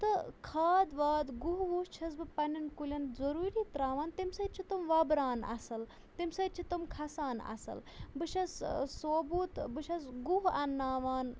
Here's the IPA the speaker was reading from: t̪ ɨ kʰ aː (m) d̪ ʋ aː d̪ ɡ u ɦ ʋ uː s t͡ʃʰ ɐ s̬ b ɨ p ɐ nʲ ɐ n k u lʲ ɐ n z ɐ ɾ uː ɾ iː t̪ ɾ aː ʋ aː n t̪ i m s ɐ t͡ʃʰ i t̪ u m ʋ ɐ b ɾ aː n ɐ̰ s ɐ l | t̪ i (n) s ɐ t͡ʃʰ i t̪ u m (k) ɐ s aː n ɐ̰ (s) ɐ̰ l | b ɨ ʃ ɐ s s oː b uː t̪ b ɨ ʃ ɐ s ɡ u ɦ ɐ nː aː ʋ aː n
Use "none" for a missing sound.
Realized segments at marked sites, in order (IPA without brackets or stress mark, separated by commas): none, m, kʰ, s